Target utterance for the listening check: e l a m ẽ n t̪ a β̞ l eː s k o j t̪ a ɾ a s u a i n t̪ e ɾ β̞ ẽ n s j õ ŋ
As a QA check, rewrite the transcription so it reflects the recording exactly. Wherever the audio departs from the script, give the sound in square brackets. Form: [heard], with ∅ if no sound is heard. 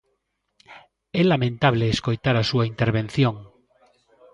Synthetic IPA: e l a m ẽ n t̪ a β̞ l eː s k o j t̪ a ɾ a s u a i n t̪ e ɾ β̞ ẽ n [θ] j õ ŋ